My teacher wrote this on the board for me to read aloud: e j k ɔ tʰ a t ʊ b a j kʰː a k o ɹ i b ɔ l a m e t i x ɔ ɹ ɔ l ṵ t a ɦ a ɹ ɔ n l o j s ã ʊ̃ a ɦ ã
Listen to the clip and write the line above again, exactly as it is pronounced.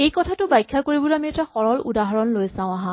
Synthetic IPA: e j k ɔ tʰ a t ʊ b a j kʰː a k o ɹ i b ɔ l a m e t a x ɔ ɹ ɔ l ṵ d a ɦ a ɹ ɔ n l o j s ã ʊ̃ a ɦ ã